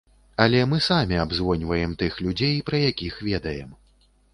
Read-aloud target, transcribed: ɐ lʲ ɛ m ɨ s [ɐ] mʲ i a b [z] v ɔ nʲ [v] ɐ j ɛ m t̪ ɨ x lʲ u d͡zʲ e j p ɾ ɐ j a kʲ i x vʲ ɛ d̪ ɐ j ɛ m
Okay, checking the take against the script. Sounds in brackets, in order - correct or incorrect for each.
incorrect: a, correct, correct

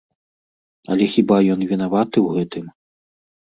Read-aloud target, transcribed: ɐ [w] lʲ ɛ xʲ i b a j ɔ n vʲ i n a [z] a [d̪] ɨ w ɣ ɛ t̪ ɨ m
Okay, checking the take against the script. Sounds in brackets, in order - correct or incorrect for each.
incorrect: none, incorrect: v, incorrect: t̪

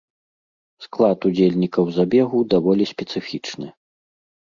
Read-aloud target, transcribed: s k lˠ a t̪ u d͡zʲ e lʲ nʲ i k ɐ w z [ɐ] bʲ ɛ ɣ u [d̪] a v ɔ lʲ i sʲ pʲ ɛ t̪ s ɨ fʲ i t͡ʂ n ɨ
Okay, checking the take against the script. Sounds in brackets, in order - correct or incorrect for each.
incorrect: a, correct

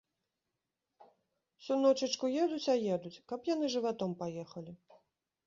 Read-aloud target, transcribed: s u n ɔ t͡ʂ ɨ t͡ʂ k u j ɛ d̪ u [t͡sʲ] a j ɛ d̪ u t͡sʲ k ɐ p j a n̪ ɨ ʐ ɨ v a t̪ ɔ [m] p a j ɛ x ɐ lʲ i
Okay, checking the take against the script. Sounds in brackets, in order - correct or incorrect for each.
correct, correct

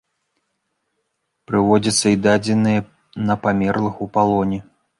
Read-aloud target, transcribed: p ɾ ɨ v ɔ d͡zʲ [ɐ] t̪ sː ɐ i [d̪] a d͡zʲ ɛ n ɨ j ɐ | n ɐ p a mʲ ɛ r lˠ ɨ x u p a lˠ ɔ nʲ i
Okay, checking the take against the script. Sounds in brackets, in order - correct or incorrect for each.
correct, correct

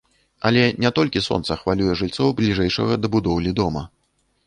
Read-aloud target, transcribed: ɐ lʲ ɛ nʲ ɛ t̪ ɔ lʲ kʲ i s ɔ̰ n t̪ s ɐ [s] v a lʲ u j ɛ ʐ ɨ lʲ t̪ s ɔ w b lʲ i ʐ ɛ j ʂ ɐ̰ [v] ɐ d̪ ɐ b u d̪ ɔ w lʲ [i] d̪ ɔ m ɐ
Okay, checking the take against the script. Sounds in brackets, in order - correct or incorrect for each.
incorrect: x, incorrect: ɣ, correct

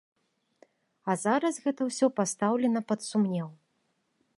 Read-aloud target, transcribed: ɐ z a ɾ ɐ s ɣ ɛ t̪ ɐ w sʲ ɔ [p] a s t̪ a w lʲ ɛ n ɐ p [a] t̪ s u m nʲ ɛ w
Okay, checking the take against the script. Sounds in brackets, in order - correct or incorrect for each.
correct, incorrect: ɐ

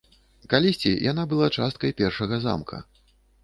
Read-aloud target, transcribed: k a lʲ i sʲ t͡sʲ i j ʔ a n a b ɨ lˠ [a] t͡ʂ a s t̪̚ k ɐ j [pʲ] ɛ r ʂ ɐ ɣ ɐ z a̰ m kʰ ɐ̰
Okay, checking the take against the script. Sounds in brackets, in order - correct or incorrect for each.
correct, correct

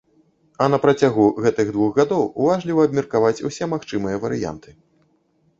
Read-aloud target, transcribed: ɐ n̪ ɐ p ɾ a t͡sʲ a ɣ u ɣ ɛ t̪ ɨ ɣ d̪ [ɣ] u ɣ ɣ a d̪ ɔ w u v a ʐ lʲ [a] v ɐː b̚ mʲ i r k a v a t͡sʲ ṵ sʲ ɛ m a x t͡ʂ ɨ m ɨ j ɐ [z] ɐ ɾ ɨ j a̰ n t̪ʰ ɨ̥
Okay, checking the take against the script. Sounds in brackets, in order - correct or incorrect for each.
incorrect: v, incorrect: i, incorrect: v

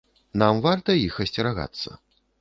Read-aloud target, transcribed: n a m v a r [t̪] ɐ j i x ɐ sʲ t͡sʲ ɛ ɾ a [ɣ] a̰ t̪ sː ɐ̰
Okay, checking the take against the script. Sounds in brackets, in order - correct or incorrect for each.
correct, correct

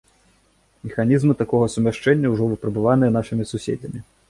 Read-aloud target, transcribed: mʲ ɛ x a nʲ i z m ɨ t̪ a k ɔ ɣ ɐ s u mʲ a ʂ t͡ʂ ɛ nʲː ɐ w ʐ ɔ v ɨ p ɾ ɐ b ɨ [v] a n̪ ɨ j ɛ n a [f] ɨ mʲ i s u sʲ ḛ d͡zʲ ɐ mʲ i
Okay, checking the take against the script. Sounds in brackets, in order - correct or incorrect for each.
correct, incorrect: ʂ

